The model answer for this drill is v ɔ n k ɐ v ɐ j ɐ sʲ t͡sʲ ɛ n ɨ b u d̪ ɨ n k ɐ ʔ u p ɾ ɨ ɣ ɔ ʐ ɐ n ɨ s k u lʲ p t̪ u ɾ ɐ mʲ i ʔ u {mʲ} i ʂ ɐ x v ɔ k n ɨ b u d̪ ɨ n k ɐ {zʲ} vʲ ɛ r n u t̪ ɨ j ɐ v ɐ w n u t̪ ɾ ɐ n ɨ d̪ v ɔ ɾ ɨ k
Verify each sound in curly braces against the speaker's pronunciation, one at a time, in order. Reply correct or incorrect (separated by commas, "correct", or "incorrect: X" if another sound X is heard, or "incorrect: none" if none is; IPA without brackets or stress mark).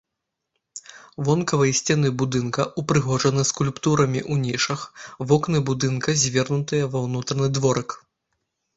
incorrect: nʲ, correct